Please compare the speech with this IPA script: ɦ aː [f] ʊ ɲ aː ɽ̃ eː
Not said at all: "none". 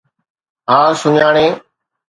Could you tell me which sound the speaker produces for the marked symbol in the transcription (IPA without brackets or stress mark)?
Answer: s